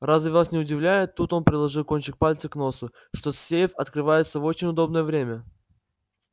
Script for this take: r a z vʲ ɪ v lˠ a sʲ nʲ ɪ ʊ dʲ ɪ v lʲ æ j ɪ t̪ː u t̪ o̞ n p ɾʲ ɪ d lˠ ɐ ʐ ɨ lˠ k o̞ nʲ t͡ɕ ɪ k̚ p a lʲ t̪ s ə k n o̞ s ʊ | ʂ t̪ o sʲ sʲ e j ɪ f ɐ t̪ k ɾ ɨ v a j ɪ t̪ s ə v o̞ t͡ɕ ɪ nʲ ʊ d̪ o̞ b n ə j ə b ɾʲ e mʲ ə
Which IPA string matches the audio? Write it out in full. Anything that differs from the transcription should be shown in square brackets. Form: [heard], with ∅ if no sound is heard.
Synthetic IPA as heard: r a z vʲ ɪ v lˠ a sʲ nʲ ɪ ʊ dʲ ɪ v lʲ æ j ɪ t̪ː u t̪ o̞ n p ɾʲ ɪ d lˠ ɐ ʐ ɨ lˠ k o̞ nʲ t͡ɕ ɪ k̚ p a lʲ t̪ s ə k n o̞ s ʊ | ʂ t̪ o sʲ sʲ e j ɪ f ɐ t̪ k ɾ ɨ v a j ɪ t̪ s ə v o̞ t͡ɕ ɪ nʲ ʊ d̪ o̞ b n ə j ə [v] ɾʲ e mʲ ə